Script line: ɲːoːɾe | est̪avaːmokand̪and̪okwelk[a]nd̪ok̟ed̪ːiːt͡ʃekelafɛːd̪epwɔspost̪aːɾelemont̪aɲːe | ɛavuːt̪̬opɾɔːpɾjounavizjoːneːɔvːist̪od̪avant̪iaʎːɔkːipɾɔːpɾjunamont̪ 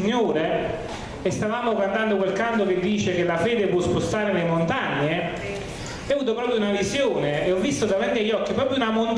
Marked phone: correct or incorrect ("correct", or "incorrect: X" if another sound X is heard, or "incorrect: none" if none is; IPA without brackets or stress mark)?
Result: correct